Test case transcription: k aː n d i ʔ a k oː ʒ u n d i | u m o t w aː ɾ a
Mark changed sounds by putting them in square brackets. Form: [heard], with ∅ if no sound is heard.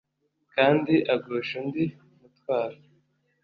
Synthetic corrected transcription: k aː n d i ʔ a [ɡ] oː [ʃ] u n d i | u m [u] t w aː ɾ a